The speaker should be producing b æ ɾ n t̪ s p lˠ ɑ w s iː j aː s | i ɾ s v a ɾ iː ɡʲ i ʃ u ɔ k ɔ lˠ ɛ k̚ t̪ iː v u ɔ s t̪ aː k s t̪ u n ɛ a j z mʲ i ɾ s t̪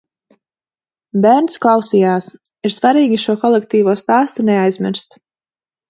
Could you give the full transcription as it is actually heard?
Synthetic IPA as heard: b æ ɾ n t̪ s k lˠ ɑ w s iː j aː s | i ɾ s v a ɾ iː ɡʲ i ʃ u ɔ k ɔ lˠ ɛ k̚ t̪ iː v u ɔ s t̪ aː s t̪ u n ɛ a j z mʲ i ɾ s t̪